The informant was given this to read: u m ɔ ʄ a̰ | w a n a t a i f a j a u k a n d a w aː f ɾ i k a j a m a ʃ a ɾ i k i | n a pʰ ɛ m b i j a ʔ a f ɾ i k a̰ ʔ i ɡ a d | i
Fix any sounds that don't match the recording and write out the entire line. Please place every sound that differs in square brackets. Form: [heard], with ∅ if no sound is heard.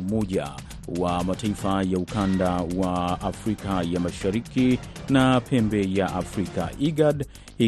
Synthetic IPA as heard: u m ɔ ʄ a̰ | w a [m] a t a i f a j a u k a n d a w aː f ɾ i k a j a m a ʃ a ɾ i k i | n a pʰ ɛ m b [ɛ] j a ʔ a f ɾ i k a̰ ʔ i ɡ a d | i